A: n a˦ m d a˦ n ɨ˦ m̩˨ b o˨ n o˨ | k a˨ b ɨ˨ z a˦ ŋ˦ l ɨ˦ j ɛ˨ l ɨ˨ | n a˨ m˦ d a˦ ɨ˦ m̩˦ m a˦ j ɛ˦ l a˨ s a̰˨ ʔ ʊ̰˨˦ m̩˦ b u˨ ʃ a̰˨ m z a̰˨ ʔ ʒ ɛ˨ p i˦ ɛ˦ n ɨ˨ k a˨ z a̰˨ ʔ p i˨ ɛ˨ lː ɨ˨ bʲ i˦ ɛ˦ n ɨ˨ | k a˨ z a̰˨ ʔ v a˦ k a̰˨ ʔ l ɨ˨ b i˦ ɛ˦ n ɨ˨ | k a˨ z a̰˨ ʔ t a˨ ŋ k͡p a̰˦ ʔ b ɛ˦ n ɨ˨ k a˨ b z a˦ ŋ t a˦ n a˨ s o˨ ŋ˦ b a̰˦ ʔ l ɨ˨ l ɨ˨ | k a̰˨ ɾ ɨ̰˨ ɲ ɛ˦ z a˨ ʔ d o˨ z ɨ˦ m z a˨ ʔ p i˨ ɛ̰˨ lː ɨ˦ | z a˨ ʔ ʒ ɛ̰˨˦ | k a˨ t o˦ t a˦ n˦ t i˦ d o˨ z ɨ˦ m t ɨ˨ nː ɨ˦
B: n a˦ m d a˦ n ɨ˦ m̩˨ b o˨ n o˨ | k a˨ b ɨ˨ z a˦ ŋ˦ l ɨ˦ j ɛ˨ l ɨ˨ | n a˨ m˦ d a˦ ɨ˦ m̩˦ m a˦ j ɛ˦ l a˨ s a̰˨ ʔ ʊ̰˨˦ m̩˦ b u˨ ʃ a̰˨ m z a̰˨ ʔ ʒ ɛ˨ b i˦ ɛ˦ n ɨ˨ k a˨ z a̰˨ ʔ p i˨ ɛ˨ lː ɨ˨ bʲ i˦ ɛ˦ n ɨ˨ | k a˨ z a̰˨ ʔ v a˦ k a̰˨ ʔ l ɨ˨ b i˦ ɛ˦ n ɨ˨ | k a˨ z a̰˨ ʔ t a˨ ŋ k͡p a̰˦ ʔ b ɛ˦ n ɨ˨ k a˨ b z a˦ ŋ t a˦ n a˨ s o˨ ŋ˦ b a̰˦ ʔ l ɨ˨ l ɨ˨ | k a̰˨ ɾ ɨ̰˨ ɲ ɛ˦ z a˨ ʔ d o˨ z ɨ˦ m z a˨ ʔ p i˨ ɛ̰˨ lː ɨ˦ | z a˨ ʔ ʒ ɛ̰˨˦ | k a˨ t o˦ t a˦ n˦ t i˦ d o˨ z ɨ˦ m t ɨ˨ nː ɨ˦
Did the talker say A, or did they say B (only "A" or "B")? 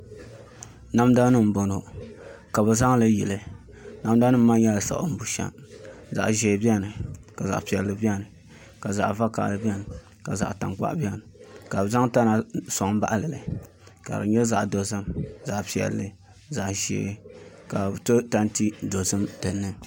B